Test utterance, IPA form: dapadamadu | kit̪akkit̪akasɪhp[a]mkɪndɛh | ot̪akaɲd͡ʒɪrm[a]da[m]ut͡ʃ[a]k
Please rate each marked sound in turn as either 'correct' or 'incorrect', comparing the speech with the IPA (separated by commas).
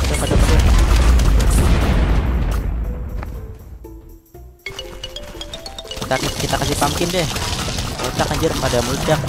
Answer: correct, correct, correct, correct